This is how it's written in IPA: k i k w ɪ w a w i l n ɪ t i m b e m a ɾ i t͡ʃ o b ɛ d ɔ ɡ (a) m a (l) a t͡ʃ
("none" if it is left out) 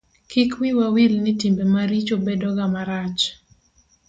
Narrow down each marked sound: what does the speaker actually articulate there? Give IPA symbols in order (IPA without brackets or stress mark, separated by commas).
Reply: a, ɾ